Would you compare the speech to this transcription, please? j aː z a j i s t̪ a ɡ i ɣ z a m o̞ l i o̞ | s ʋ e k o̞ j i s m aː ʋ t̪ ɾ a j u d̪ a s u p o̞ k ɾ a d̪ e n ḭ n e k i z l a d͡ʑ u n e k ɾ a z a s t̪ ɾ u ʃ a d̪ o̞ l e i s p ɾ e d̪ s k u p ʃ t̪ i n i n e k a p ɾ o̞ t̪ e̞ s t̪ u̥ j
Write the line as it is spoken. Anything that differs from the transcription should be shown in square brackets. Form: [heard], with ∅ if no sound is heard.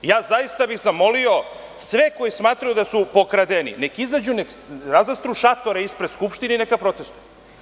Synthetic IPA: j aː z a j i s t̪ a [b] i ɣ z a m o̞ l i o̞ | s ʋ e k o̞ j i s m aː [∅] t̪ ɾ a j u d̪ a s u p o̞ k ɾ a d̪ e n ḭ n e k i z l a d͡ʑ u n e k ɾ a z a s t̪ ɾ u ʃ a [t̪] o̞ [ɾ] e i s p ɾ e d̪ s k u p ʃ t̪ i n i n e k a p ɾ o̞ t̪ e̞ s t̪ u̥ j